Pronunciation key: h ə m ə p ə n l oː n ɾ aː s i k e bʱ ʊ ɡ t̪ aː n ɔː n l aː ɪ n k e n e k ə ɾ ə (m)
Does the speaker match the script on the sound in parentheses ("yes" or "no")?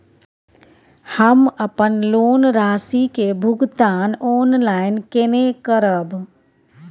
no